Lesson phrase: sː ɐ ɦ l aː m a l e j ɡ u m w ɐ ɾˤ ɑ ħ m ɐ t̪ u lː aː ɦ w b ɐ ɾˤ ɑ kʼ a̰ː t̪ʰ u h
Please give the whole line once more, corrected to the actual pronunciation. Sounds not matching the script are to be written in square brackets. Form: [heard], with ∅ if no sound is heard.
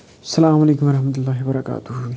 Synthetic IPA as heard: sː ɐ [∅] l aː m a l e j [k] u m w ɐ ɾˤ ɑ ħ m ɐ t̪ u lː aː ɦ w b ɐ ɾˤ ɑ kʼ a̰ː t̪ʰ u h

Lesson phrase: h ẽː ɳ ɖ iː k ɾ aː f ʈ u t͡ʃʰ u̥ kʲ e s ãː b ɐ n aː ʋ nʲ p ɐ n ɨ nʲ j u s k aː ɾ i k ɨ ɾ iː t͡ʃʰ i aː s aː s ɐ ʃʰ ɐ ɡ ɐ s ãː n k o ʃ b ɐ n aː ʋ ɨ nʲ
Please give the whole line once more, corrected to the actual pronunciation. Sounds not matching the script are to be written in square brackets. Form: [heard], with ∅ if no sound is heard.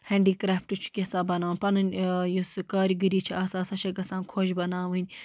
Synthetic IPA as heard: h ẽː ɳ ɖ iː k ɾ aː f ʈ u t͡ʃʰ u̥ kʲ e s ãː b ɐ n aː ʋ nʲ p ɐ n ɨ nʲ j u s k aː ɾ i [ɡ] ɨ ɾ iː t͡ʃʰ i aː s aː s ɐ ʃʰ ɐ ɡ ɐ s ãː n [kʰ] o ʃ b ɐ n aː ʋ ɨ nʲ

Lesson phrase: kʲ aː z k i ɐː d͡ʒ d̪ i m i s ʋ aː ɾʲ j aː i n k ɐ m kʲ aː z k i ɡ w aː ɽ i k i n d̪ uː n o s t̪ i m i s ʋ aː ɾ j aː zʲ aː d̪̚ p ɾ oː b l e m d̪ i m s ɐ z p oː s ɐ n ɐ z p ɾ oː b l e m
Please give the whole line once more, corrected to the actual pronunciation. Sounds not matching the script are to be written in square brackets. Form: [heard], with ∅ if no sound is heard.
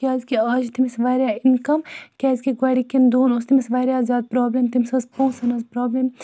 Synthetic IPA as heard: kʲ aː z k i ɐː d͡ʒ [t̪] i m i s ʋ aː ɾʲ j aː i n k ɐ m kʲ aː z k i ɡ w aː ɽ i k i n d̪ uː n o s t̪ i m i s ʋ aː ɾ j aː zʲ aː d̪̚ p ɾ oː b l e m [t̪] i m s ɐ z p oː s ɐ n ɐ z p ɾ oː b l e m

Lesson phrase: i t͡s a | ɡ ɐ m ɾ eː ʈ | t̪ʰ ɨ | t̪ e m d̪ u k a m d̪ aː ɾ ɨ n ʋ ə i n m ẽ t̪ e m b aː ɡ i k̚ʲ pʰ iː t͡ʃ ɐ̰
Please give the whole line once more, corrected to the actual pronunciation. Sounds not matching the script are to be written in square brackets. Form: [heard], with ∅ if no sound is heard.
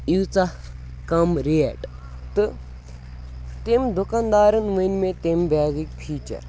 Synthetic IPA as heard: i t͡s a | [k] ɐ m ɾ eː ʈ | [t̪] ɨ | t̪ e m d̪ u k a [n] d̪ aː ɾ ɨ n ʋ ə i n m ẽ t̪ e m b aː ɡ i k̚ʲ pʰ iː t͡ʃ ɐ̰

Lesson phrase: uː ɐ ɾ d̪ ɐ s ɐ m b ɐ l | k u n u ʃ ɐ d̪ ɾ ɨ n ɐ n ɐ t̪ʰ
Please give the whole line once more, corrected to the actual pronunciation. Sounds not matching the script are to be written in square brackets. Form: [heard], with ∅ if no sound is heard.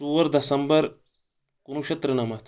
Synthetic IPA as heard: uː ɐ ɾ d̪ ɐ s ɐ m b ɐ [ɾ] | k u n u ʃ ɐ [t̪] ɾ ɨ n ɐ [m] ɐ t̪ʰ

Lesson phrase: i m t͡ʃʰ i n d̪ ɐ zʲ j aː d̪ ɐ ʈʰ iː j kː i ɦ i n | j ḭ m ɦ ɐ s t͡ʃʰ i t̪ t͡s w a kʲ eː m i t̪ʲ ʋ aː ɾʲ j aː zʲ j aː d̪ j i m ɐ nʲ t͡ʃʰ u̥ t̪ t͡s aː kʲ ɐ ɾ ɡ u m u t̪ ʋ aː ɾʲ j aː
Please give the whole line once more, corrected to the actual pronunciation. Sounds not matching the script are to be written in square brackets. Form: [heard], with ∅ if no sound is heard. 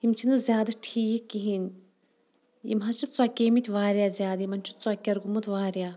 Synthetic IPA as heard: i m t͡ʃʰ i n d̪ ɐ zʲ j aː d̪ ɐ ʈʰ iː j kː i ɦ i n | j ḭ m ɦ ɐ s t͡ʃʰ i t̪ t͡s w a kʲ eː m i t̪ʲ ʋ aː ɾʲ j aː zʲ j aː d̪ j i m ɐ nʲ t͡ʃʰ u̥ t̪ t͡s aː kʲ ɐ ɾ ɡ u m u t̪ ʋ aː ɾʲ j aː

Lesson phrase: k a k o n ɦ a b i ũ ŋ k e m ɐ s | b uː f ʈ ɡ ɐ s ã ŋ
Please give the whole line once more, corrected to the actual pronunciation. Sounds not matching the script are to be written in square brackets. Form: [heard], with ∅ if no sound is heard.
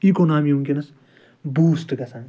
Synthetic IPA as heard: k [i] k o n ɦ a [m] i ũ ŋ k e [n] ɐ s | b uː [s] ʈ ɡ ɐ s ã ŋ

